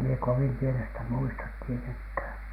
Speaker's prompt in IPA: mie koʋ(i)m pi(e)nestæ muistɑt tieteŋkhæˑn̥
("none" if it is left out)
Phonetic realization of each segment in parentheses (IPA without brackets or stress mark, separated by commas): i, e